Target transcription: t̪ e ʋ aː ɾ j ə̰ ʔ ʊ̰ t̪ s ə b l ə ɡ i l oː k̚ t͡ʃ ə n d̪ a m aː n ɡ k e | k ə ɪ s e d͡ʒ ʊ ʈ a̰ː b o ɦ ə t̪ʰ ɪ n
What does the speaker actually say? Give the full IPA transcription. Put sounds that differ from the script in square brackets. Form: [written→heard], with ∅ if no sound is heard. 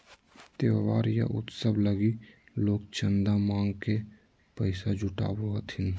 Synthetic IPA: t̪ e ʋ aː ɾ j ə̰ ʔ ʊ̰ t̪ s ə b l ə ɡ i l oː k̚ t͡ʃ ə n d̪ a m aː [n→ŋ] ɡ k e | [k→p] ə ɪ s [e→a] d͡ʒ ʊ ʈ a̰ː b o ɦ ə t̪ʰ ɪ n